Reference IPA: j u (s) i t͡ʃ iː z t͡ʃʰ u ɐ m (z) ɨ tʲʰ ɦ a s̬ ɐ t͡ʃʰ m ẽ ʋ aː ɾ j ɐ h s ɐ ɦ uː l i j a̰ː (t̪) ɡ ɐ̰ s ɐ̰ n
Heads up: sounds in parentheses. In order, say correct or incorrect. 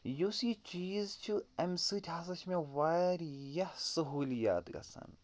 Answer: correct, incorrect, correct

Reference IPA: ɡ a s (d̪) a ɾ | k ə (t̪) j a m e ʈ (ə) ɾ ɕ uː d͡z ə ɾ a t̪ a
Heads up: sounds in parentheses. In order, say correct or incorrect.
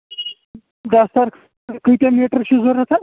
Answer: incorrect, correct, correct

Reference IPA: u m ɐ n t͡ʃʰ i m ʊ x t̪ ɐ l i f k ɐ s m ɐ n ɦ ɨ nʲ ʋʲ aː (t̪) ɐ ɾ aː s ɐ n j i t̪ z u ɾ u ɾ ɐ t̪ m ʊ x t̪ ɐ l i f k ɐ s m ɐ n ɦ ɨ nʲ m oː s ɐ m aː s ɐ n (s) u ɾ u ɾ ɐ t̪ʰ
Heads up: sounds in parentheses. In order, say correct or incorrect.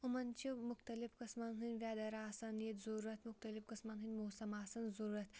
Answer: incorrect, incorrect

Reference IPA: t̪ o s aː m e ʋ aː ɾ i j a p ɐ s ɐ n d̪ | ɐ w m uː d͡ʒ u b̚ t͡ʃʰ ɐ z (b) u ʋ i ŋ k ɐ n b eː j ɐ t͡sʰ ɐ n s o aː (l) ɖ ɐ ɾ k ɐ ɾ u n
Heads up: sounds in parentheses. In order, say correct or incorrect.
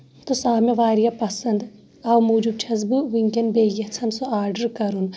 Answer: correct, incorrect

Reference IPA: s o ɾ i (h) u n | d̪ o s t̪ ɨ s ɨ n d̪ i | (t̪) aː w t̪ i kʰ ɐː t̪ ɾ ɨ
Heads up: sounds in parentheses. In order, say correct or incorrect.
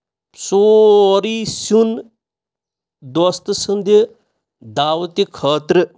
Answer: incorrect, incorrect

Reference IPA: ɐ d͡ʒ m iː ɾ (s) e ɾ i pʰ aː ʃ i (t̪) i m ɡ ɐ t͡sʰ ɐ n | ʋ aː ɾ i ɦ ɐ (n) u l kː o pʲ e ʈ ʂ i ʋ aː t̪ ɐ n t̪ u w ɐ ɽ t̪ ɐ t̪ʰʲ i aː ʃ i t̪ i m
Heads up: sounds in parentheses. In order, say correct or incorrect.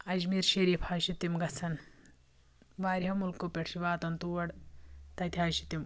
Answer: incorrect, correct, incorrect

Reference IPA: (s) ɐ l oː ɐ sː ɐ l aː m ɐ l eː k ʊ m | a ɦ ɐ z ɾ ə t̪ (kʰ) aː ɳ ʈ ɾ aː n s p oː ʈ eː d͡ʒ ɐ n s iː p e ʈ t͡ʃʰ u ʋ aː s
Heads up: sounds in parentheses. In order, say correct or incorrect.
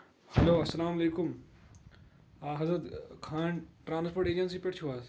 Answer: incorrect, correct

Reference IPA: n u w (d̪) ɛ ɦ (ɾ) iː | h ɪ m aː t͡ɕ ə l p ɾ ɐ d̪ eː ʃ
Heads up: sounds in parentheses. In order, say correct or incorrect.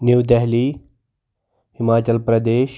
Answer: correct, incorrect

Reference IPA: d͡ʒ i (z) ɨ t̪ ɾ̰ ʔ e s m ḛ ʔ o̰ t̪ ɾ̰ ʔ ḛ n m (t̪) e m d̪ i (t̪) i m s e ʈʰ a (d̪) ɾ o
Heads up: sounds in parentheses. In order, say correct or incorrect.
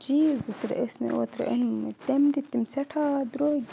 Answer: correct, correct, correct, correct

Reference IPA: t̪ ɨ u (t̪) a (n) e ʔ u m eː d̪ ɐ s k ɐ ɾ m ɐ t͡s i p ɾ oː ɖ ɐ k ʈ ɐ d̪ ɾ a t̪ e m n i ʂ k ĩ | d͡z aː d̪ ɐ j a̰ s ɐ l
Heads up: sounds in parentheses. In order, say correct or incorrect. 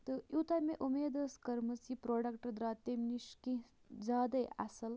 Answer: correct, incorrect

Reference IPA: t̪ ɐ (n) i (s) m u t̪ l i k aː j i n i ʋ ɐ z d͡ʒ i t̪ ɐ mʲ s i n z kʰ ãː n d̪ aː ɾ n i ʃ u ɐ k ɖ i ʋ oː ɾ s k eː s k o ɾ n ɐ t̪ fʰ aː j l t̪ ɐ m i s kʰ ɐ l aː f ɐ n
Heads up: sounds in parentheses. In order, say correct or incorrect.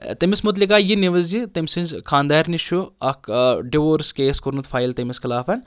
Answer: incorrect, correct

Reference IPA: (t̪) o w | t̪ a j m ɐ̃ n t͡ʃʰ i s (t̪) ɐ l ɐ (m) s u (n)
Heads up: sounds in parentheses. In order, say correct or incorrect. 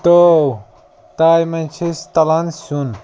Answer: correct, correct, incorrect, correct

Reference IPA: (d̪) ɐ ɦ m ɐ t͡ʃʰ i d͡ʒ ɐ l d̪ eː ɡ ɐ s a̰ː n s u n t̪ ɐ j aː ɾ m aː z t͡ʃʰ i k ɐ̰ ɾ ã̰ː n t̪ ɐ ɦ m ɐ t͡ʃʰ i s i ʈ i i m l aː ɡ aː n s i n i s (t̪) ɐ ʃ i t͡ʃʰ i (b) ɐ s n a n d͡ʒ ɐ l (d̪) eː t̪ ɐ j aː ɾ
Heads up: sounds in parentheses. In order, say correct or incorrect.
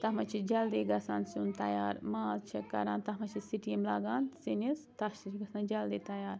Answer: incorrect, correct, incorrect, correct

